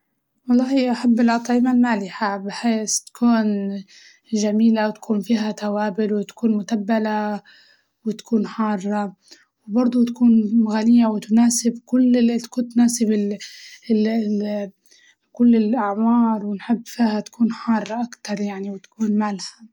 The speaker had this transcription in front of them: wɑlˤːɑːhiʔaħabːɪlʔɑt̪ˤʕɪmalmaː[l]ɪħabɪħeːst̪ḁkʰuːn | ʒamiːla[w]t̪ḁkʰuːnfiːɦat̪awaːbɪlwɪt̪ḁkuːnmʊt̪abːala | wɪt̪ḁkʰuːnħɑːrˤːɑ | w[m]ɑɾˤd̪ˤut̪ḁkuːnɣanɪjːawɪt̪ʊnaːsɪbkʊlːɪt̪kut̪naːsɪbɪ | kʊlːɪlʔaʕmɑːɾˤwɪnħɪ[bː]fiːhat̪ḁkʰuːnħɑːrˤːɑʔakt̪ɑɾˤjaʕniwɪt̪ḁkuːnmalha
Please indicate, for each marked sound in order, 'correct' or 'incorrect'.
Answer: correct, correct, incorrect, correct

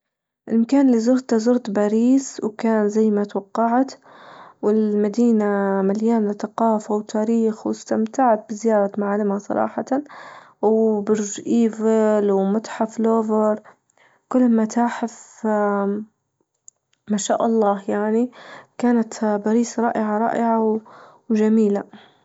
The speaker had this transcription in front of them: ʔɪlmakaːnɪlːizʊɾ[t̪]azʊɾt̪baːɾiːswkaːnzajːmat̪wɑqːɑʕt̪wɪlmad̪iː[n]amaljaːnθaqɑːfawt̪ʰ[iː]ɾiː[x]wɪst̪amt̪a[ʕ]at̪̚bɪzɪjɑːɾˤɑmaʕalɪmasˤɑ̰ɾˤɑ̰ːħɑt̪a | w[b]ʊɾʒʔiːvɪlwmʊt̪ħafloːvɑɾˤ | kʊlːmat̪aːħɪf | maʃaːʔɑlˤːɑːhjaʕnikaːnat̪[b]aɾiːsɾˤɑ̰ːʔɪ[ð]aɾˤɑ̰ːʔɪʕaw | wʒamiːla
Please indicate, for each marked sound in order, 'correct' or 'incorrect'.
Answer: correct, correct, incorrect, correct, correct, correct, correct, incorrect

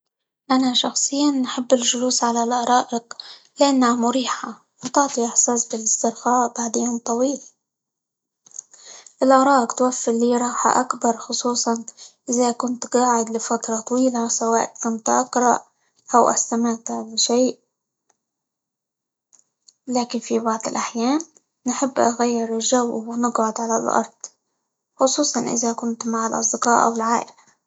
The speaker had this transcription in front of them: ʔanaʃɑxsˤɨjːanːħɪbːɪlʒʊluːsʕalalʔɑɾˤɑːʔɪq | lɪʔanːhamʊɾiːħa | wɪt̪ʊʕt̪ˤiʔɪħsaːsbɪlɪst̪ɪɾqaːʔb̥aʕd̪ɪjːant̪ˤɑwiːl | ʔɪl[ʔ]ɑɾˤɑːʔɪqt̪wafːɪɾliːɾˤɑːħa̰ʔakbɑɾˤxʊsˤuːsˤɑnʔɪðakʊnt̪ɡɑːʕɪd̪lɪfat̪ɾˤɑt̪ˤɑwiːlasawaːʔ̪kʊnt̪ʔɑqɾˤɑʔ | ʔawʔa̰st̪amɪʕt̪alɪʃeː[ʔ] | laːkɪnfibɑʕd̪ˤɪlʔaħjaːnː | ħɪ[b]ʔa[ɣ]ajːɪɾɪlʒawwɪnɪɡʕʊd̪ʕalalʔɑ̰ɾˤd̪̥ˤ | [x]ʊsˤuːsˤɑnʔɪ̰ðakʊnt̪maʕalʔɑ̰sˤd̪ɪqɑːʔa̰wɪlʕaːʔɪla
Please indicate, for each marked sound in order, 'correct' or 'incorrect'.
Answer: correct, correct, incorrect, correct, correct

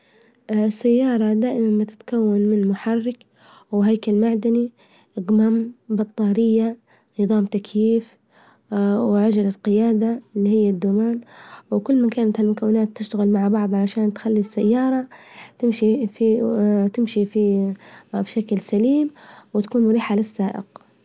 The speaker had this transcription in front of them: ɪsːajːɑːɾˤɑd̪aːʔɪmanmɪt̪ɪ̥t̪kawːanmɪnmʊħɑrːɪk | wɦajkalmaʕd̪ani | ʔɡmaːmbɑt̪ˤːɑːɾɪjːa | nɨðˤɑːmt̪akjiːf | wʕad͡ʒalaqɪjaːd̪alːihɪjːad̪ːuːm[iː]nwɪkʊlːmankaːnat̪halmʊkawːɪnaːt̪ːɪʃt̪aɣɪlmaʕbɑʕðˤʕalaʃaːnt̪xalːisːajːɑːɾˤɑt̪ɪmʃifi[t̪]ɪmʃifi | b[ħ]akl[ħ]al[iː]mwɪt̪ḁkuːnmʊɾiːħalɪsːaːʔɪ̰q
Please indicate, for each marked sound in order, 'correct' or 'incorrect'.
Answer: incorrect, correct, incorrect, incorrect, correct

